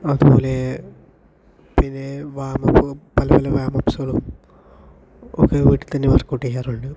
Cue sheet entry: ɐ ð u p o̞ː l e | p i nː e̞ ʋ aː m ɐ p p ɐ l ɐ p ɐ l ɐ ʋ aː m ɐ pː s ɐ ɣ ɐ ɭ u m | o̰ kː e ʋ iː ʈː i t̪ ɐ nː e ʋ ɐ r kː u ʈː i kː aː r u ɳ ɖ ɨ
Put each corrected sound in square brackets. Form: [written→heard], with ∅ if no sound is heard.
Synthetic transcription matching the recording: ɐ ð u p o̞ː l e | p i nː e̞ ʋ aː m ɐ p p ɐ l ɐ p ɐ l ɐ ʋ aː m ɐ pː s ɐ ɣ ɐ ɭ u m | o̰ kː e ʋ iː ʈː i t̪ ɐ nː e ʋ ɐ r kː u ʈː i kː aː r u ɳ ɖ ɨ